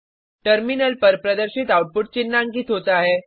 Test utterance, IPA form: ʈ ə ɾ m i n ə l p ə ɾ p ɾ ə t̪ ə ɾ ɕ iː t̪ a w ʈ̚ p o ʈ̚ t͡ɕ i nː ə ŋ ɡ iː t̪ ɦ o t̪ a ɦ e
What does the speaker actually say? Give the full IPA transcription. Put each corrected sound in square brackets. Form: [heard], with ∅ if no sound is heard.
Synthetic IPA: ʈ ə ɾ m i n ə l p ə ɾ p ɾ ə [d̪] ə ɾ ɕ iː t̪ a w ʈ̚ p [u] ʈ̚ t͡ɕ i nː [a] ŋ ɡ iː t̪ ɦ o t̪ a ɦ e